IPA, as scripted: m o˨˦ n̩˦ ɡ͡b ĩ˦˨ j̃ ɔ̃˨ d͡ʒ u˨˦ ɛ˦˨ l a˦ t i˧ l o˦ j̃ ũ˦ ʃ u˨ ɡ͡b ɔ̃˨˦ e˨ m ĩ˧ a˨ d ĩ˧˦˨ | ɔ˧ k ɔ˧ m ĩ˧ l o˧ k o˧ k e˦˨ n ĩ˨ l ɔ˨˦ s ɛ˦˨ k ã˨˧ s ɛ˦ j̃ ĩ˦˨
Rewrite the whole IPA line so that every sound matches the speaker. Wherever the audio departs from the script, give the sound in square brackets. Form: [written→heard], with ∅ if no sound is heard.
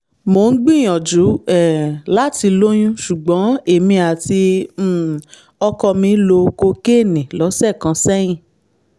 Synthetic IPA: m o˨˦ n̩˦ ɡ͡b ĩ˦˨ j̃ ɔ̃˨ d͡ʒ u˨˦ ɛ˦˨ l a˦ t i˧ l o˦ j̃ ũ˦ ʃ u˨ ɡ͡b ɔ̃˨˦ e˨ m ĩ˧ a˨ [d→t] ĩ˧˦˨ | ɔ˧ k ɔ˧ m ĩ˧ l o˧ k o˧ k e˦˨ n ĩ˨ l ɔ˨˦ s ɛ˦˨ k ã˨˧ s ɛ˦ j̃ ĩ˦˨